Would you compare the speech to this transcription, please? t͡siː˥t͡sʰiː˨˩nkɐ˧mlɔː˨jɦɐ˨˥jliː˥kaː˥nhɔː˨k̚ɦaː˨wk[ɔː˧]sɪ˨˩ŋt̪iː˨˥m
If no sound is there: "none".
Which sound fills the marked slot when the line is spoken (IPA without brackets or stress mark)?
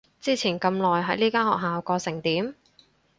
ɔː˧